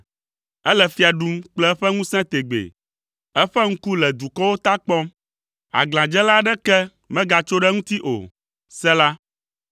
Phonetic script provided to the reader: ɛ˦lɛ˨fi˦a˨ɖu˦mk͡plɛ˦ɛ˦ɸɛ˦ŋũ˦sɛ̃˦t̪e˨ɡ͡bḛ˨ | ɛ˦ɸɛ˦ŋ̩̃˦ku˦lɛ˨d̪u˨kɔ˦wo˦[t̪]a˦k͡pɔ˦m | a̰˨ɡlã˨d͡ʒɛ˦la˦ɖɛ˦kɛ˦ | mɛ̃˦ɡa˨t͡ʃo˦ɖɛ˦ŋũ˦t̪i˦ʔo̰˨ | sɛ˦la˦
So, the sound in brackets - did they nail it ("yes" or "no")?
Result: yes